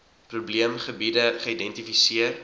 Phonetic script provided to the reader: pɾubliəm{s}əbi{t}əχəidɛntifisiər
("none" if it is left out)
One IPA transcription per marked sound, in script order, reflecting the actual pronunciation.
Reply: χ, d

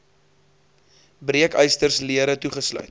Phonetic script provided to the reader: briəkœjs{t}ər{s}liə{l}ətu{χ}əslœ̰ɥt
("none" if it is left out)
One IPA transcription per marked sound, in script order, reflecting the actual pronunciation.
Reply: t, s, ɾ, χ

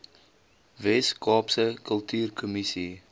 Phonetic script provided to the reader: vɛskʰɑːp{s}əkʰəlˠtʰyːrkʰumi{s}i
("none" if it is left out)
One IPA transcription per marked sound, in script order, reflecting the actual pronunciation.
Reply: s, s

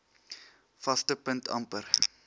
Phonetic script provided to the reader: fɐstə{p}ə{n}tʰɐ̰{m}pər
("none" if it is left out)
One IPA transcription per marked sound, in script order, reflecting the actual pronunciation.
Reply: p, n, m

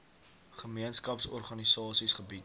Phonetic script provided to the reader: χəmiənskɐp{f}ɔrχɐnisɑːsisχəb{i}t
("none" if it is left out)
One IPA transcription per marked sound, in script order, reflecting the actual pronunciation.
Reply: s, i

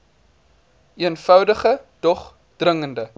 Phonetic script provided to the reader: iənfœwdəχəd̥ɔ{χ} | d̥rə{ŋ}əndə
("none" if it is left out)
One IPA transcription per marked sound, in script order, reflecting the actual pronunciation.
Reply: χ, ŋ

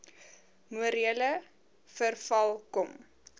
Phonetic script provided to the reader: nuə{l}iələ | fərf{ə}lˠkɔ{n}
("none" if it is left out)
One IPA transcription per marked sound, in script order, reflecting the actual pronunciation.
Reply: ɾ, ɐ, m

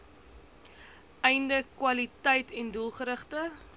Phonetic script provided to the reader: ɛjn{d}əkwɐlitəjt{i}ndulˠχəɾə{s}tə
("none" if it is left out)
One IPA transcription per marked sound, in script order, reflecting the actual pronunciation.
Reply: d, ɛ, χ

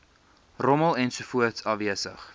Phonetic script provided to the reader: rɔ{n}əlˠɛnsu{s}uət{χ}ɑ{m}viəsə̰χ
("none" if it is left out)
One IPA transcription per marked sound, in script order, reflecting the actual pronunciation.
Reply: m, f, s, none

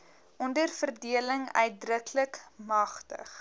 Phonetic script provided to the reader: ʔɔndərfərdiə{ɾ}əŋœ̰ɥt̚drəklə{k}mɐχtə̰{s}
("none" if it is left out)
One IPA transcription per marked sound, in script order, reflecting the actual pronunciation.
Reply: l, k, χ

